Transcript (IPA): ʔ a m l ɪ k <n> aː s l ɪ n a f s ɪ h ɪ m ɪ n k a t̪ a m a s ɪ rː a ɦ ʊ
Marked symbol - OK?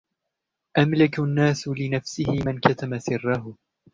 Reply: no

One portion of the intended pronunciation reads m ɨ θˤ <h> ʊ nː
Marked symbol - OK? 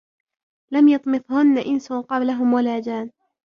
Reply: yes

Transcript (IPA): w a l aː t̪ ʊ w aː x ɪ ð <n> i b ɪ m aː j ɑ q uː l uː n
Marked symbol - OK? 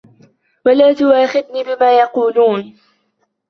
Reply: yes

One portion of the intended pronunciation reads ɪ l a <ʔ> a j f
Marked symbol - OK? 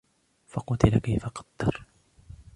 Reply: no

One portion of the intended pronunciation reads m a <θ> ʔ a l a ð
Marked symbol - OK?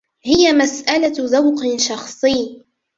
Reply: no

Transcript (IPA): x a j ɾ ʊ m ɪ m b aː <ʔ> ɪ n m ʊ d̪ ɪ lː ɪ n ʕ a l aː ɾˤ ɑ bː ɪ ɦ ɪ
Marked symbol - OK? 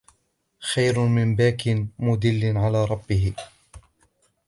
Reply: no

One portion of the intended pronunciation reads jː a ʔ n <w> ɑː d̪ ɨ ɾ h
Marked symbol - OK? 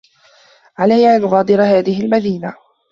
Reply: no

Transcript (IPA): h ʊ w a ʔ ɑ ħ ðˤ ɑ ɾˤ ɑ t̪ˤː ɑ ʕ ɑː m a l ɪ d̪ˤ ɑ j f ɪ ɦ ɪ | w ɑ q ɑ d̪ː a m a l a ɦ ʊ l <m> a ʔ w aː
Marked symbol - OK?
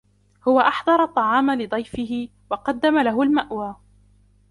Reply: yes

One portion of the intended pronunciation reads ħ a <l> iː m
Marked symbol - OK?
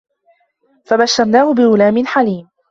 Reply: yes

